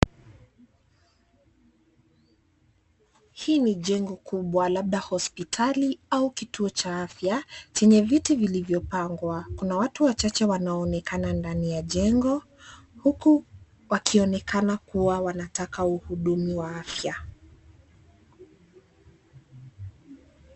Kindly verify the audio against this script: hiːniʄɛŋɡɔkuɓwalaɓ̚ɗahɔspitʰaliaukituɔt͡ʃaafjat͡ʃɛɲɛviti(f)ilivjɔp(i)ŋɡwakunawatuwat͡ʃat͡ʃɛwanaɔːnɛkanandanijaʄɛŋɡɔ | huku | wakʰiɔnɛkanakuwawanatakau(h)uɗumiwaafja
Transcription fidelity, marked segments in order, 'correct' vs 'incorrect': incorrect: v, incorrect: a, correct

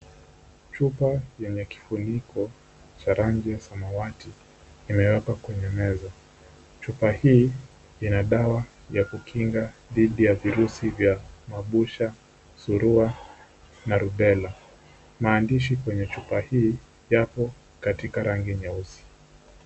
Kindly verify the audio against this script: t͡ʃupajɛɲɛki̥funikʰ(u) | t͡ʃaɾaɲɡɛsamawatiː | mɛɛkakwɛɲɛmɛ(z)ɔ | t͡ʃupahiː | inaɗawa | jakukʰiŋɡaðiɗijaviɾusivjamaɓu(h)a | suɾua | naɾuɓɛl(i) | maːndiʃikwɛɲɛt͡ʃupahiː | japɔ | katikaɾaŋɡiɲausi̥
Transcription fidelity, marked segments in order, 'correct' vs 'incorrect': incorrect: ɔ, correct, incorrect: ʃ, incorrect: a

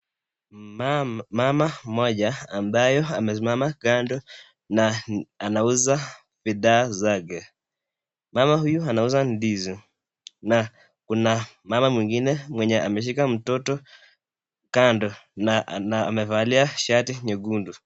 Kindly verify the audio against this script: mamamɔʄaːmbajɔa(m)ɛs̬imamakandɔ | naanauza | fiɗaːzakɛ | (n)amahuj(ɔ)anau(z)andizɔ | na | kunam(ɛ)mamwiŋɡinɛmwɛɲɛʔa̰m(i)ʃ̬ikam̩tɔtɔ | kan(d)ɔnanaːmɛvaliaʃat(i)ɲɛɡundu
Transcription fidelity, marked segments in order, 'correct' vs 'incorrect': correct, incorrect: m, incorrect: u, correct, incorrect: a, incorrect: ɛ, correct, correct

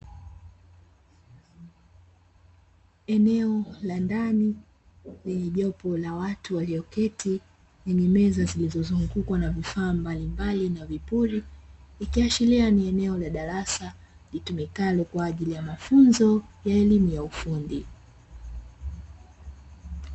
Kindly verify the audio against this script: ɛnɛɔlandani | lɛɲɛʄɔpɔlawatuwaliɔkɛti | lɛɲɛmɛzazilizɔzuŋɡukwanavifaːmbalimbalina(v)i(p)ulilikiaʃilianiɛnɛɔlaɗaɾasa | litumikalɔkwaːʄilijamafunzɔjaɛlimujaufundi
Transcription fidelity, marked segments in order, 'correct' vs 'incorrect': correct, correct

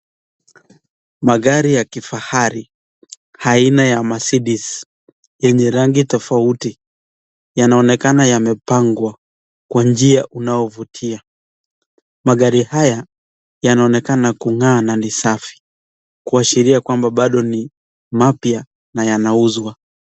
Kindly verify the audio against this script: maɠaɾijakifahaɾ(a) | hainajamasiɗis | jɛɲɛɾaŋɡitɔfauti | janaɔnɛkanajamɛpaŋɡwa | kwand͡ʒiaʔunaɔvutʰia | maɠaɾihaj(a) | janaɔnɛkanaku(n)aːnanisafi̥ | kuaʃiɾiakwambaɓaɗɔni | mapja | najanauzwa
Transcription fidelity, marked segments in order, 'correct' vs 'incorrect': incorrect: i, correct, incorrect: ŋ

